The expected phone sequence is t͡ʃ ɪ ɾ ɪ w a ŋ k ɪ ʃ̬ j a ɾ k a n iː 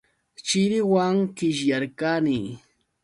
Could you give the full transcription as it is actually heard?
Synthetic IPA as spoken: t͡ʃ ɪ ɾ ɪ w a ŋ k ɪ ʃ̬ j a ɾ k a n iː